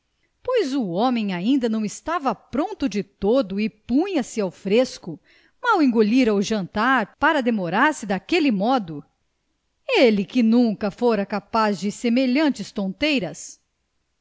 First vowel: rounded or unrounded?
rounded